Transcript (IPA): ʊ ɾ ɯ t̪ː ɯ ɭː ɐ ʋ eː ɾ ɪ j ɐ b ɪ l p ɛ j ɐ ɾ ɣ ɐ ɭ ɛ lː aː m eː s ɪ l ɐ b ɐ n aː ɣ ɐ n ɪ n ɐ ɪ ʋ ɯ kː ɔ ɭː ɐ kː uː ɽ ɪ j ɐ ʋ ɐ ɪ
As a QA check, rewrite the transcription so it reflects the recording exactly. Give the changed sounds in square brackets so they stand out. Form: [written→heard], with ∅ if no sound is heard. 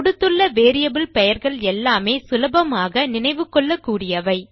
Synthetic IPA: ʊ [ɾ→ɽ] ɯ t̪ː ɯ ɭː ɐ ʋ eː ɾ ɪ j ɐ b ɪ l p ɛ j ɐ ɾ ɣ ɐ ɭ ɛ lː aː m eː s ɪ l ɐ b ɐ [n→m] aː ɣ ɐ n ɪ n ɐ ɪ ʋ ɯ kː ɔ ɭː ɐ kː uː ɽ ɪ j ɐ ʋ ɐ ɪ